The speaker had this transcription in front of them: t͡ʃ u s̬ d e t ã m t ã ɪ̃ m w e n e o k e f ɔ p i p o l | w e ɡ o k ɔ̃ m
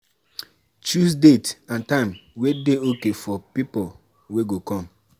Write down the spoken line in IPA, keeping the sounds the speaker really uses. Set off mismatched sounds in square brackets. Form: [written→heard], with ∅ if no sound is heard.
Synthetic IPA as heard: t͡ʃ u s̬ d e t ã [m→n] t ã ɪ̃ m w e [n→d] e o k e f ɔ p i p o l | w e ɡ o k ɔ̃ m